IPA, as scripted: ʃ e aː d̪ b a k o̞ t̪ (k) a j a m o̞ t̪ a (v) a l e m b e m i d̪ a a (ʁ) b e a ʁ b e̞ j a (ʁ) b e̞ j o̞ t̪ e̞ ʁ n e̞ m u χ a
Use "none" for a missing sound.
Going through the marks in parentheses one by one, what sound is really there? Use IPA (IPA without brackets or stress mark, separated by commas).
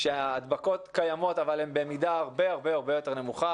k, v, ʁ, ʁ